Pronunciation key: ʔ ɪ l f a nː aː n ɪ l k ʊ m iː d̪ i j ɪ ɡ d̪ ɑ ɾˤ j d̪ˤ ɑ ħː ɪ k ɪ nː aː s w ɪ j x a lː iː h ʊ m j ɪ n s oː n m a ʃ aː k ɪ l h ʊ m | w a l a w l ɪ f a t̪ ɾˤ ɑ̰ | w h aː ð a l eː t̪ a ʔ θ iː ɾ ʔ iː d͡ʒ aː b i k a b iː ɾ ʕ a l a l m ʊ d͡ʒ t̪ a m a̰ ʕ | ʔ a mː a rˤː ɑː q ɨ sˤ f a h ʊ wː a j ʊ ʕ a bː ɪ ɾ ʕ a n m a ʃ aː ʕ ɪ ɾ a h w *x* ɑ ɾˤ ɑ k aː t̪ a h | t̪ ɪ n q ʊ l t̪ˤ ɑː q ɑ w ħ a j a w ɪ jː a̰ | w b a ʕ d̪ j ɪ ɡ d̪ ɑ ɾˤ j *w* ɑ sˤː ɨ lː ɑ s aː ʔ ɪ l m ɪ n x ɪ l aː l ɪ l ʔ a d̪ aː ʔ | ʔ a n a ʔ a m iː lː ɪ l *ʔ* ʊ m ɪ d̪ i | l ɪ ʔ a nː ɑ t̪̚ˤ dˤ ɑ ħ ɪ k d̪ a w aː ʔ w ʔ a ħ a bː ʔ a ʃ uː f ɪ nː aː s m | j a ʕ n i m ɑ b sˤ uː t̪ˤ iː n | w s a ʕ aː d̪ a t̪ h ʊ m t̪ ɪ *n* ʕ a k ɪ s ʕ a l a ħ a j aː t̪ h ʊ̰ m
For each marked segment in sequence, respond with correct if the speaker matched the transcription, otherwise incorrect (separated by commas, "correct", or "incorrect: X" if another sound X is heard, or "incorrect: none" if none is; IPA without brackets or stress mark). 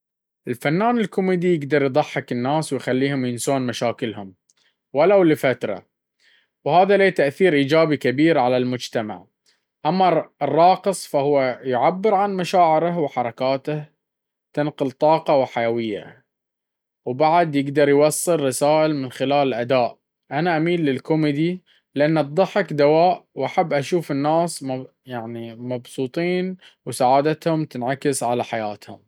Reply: incorrect: ħ, correct, incorrect: k, correct